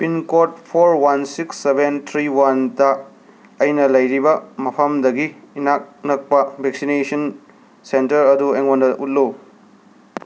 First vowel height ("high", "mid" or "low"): high